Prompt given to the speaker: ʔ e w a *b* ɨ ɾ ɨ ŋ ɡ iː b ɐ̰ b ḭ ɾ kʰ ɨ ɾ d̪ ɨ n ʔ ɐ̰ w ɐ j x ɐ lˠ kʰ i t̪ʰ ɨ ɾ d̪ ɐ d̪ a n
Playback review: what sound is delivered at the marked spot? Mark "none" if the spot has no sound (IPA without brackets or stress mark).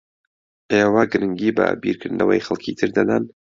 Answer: ɡ